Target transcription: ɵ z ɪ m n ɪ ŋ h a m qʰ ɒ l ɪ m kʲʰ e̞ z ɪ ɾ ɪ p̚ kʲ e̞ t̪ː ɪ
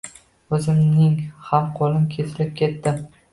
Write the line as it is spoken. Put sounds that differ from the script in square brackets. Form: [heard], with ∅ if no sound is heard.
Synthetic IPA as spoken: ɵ z ɪ m n ɪ ŋ h a m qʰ ɒ l ɪ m kʲʰ e̞ [s] ɪ [l] ɪ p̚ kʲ e̞ t̪ː ɪ